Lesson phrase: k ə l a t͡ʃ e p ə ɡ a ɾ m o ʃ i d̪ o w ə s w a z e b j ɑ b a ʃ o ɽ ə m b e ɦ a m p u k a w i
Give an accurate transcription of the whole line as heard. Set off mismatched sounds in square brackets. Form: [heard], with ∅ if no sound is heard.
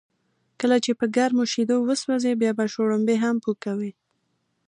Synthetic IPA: k ə l a t͡ʃ e p ə ɡ a ɾ m o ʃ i d̪ o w ə s w a z e b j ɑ b a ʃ o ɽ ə m b e ɦ a m p u k a w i